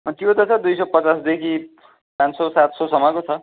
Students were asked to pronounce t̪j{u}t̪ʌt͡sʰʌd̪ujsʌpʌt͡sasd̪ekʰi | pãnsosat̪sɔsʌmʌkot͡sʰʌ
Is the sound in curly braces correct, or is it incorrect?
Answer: incorrect